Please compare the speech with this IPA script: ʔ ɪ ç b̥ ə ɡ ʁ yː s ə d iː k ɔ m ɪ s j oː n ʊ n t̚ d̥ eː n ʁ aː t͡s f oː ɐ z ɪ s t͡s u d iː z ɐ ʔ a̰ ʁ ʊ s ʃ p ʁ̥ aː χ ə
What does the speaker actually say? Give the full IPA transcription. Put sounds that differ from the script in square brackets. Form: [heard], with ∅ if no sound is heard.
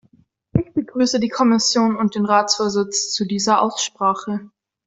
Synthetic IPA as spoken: ʔ ɪ ç b̥ ə ɡ ʁ yː s ə d iː [kʰ] ɔ m ɪ s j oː n ʊ n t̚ d̥ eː n ʁ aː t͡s f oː ɐ z ɪ [t͡s] t͡s u d iː z ɐ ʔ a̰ [∅] ʊ s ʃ p ʁ̥ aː χ ə